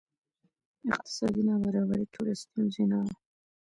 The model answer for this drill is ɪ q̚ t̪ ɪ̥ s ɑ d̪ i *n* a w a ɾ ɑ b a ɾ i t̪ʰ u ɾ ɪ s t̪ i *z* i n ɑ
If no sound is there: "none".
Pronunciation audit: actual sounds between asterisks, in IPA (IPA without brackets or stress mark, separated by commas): n, z